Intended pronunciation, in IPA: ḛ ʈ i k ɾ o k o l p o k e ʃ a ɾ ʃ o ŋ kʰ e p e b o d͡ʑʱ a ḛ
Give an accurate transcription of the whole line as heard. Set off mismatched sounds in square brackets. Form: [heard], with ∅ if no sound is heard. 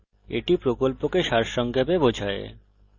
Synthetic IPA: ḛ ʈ i [p] ɾ o k o l p o k e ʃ a ɾ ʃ [ɔ] ŋ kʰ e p e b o d͡ʑʱ a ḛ

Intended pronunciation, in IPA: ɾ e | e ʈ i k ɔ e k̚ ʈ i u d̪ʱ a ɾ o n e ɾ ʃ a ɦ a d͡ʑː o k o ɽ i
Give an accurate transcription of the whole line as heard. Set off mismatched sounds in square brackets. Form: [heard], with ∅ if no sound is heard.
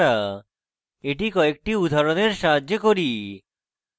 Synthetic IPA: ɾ [a] | e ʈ i k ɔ e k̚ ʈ i u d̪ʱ a ɾ o n e ɾ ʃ a ɦ a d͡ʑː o k o [ɾ] i

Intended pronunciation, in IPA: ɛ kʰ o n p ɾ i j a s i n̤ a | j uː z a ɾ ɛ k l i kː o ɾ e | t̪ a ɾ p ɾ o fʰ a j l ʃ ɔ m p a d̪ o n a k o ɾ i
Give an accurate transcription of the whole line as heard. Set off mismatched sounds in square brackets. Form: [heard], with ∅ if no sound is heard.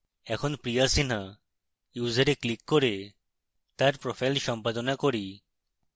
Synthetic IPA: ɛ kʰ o n p ɾ i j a s i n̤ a | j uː z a ɾ [e] k l i kː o ɾ e | t̪ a ɾ p ɾ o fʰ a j l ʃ ɔ m p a d̪ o n a k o ɾ i

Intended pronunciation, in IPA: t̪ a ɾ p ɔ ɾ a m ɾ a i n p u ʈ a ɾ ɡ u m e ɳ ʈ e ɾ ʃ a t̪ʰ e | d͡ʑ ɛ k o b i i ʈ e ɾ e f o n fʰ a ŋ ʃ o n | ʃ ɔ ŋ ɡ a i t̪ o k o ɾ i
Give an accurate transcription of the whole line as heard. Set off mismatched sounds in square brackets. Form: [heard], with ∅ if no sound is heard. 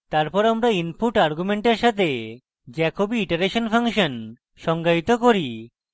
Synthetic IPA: t̪ a ɾ p ɔ ɾ a m ɾ a i n p u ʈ a ɾ ɡ u m e ɳ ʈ e ɾ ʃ a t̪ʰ e | d͡ʑ ɛ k o b i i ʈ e ɾ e [ʃ] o n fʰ a ŋ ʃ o n | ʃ ɔ ŋ ɡ a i t̪ o k o ɾ i

